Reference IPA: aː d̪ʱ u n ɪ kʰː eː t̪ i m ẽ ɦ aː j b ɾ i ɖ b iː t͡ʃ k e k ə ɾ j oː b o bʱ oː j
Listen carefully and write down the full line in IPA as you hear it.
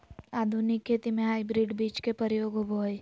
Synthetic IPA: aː d̪ʱ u n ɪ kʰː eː t̪ i m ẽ ɦ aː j b ɾ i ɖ b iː t͡ʃ k e p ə ɾ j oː ɡ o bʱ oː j